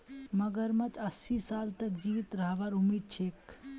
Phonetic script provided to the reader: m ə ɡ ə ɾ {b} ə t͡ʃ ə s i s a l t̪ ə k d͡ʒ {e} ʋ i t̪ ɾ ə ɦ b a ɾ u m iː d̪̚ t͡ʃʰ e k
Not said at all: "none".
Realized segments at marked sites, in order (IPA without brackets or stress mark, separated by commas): m, i